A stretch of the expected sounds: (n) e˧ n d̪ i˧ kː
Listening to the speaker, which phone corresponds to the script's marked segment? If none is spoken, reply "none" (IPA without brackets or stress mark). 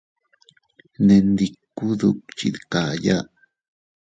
n